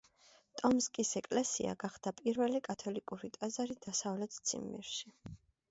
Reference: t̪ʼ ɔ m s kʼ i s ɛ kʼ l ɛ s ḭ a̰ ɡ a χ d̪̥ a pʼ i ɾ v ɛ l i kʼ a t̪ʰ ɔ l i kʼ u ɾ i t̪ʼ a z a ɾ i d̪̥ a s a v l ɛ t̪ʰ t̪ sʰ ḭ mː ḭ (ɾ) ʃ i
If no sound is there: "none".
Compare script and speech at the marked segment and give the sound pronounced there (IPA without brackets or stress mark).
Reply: ɾ